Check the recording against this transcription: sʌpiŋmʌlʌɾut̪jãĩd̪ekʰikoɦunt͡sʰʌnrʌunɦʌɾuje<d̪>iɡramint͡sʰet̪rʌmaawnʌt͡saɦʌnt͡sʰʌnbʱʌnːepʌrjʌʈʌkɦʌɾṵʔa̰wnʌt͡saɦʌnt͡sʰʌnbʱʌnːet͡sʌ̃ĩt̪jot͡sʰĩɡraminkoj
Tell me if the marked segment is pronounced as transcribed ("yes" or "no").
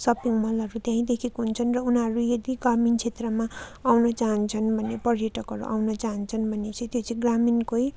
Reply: yes